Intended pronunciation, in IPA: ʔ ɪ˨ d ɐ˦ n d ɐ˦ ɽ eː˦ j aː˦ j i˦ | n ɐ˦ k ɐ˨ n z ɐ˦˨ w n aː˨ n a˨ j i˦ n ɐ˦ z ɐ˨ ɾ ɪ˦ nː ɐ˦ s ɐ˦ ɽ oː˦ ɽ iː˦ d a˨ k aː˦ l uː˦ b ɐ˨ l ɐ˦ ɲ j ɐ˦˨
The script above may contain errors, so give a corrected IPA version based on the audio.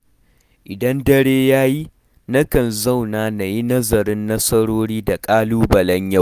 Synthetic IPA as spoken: ʔ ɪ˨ d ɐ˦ n d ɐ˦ ɽ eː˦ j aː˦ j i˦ | n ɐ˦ k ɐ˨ n z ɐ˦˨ w n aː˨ n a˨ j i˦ n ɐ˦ z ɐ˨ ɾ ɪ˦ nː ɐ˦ s ɐ˦ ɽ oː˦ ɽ iː˦ d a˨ kʼ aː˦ l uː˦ b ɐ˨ l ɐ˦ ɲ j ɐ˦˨